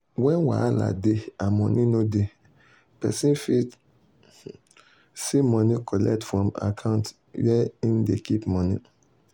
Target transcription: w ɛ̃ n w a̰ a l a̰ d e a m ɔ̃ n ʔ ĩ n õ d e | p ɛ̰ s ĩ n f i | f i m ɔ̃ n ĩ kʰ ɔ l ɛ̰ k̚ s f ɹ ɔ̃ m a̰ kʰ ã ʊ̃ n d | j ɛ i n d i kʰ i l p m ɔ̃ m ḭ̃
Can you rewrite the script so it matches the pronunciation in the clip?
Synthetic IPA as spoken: w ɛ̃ n w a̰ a l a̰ d e a m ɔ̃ n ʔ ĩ n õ d e | p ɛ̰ s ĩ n f i | s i m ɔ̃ n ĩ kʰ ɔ l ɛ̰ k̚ t f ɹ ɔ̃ m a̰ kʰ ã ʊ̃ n t | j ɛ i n d e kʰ i p m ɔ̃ n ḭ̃